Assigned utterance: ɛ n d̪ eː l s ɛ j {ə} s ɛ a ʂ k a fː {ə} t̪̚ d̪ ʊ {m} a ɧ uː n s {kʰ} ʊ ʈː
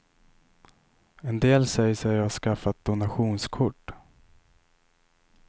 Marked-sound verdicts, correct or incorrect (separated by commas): correct, incorrect, incorrect, correct